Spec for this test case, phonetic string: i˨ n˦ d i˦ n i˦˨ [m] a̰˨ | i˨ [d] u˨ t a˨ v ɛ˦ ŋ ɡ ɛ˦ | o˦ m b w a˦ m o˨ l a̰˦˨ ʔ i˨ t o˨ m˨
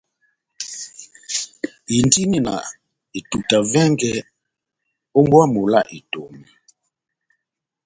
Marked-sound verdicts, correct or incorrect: incorrect: n, incorrect: t

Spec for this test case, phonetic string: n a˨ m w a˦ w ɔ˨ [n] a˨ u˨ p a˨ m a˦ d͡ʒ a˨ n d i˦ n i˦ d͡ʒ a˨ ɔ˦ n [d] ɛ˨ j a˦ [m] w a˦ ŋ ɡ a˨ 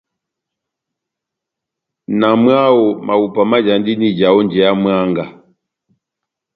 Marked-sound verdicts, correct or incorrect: incorrect: m, incorrect: d͡ʒ, correct

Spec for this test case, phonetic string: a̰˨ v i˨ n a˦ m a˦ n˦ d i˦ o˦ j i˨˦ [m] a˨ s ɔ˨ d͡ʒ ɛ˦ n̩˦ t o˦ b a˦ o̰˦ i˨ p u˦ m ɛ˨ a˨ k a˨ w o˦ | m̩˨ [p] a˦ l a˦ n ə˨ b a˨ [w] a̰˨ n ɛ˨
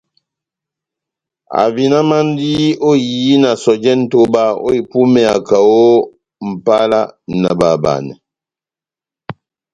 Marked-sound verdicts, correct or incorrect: incorrect: n, correct, incorrect: b

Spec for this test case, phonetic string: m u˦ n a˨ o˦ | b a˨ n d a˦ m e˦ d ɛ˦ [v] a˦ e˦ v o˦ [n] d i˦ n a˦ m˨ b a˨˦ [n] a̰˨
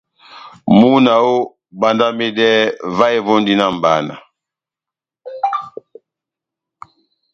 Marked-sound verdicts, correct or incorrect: correct, correct, correct

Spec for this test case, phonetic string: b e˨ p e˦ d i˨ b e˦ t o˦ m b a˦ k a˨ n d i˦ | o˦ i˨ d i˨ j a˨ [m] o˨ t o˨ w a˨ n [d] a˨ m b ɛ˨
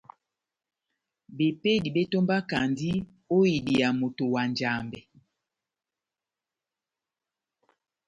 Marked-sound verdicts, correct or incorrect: correct, incorrect: d͡ʒ

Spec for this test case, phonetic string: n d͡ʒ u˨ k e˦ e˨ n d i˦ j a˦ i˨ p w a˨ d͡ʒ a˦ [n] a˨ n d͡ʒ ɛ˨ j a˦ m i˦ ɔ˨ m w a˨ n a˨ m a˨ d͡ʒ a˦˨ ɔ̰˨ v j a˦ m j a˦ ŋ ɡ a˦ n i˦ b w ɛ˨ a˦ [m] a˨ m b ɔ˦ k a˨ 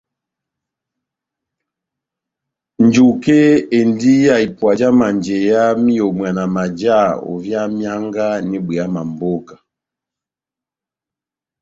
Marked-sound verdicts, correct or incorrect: incorrect: m, correct

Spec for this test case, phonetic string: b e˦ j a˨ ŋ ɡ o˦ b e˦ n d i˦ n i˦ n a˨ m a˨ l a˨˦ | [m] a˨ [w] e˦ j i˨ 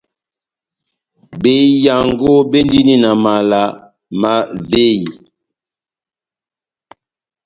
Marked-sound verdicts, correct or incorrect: correct, incorrect: v

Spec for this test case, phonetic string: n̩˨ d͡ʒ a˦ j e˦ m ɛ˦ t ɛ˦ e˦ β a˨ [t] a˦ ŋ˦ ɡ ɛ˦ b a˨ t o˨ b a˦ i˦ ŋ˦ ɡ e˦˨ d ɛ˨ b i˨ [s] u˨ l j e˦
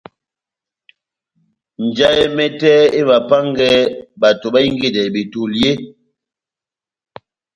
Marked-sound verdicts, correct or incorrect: incorrect: p, incorrect: t

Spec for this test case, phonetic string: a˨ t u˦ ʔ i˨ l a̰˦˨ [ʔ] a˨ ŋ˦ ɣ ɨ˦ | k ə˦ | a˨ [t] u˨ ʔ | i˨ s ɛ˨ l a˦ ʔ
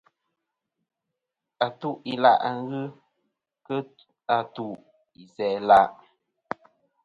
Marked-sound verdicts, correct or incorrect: correct, correct

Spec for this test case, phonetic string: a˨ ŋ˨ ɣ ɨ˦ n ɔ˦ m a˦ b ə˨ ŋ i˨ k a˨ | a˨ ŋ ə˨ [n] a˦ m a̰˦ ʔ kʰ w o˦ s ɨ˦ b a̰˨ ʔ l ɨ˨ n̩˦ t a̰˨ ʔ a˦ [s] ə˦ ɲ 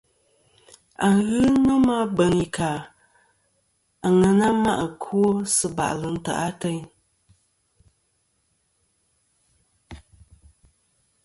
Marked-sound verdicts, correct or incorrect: correct, incorrect: t

